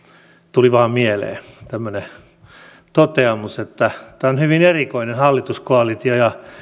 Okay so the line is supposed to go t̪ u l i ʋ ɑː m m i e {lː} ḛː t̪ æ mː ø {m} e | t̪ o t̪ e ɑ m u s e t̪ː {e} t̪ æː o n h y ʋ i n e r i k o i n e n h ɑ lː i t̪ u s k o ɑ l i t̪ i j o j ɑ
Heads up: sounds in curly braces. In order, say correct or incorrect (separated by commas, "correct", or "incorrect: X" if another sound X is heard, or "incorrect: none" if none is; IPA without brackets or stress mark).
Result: incorrect: l, incorrect: n, incorrect: æ